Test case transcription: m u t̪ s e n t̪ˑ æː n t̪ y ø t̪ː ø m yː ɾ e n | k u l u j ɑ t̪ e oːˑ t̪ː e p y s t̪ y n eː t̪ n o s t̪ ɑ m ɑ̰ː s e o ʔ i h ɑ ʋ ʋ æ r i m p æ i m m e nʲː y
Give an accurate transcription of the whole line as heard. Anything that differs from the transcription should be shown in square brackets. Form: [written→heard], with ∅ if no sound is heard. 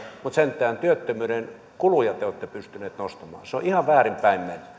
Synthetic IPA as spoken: m u t̪ s e n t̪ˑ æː n t̪ y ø t̪ː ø m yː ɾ e n | k u l u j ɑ t̪ e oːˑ t̪ː e p y s t̪ y n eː t̪ n o s t̪ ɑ m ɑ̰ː s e o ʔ i h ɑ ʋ ʋ [æ→æː] r i m p æ i m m e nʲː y